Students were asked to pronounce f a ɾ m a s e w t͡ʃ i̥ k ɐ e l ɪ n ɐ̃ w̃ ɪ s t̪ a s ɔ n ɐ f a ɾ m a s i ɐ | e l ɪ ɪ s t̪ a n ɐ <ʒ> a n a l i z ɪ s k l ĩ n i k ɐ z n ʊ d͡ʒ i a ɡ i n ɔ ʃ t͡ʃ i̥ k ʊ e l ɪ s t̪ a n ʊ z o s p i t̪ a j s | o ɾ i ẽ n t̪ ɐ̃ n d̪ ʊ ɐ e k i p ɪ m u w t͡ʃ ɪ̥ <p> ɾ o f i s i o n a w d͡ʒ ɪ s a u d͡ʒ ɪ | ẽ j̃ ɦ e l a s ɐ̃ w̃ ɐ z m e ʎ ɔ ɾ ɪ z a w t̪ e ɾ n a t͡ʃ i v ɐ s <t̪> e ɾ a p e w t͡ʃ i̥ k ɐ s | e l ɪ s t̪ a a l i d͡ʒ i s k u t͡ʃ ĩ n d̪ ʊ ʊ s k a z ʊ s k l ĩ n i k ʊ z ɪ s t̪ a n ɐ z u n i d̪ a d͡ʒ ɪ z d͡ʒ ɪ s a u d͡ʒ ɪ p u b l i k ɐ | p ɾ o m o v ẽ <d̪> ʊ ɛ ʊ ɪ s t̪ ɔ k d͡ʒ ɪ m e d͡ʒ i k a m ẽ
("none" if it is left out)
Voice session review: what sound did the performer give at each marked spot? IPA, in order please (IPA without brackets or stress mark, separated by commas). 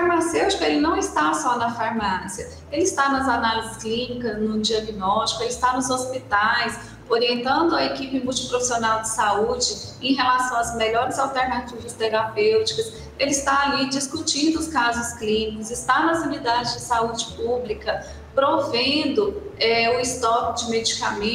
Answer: z, p, t̪, d̪